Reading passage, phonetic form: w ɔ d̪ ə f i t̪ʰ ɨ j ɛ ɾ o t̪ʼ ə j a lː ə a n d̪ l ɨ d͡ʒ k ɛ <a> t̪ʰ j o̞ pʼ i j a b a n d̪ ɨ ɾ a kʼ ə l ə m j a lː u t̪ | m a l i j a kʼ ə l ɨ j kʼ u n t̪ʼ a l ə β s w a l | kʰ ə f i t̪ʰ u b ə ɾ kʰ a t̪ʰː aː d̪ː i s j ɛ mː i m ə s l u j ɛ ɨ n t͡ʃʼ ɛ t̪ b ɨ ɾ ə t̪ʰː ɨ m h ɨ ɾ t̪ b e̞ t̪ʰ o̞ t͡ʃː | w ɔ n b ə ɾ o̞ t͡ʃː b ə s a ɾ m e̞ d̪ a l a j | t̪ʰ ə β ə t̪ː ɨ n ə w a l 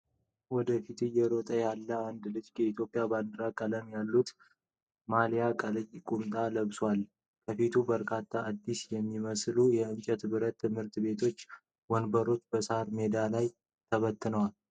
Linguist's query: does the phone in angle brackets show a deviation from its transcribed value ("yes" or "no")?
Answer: yes